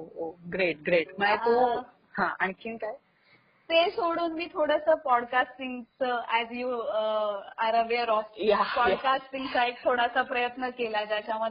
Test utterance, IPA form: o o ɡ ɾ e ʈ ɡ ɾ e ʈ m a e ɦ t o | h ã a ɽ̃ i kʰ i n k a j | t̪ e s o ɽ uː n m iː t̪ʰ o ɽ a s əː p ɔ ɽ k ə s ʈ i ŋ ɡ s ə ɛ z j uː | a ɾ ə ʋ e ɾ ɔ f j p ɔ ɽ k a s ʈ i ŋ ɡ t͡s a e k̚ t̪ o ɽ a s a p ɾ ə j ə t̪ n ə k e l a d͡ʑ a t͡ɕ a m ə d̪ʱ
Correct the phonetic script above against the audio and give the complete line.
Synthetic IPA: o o ɡ ɾ e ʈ ɡ ɾ e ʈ m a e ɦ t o | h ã a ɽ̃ i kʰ i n k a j | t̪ e s o ɽ uː n m iː t̪ʰ o ɽ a s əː p ɔ ɽ k a s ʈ i ŋ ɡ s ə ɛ z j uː | a ɾ ə ʋ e ɾ ɔ f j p ɔ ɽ k a s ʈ i ŋ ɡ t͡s a e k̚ t̪ʰ o ɽ a s a p ɾ ə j ə t̪ n ə k e l a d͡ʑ a t͡ɕ a m ə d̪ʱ